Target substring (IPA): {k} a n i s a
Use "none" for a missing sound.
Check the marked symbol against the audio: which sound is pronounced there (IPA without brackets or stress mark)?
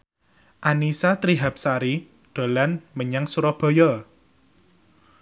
ʔ